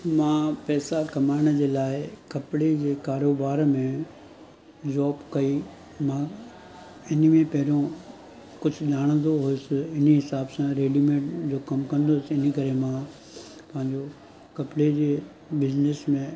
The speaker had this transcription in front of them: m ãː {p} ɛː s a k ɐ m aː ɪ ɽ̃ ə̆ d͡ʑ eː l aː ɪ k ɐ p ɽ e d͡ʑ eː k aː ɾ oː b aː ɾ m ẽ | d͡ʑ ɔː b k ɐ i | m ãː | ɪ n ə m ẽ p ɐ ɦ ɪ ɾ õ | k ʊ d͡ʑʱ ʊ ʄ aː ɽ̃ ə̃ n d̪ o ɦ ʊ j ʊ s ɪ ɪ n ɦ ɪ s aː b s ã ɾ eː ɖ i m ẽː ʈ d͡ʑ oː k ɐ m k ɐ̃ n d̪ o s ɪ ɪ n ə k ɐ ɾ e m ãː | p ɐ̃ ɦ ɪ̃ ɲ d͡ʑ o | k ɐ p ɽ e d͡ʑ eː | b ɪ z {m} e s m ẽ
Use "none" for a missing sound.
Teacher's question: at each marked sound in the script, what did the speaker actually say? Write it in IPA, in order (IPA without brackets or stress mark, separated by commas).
p, n